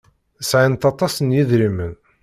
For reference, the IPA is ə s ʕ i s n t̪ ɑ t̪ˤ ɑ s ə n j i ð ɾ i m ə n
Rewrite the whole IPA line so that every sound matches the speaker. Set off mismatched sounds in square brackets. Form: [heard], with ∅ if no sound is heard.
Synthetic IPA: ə s ʕ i [∅] n t̪ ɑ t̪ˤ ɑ s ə n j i ð ɾ i m ə n